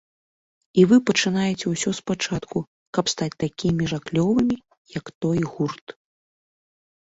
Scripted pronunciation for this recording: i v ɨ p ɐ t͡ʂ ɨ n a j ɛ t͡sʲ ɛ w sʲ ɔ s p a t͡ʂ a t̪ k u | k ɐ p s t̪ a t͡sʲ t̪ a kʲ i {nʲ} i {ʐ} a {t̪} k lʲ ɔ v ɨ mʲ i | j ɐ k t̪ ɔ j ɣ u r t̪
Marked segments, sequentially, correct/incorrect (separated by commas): incorrect, correct, incorrect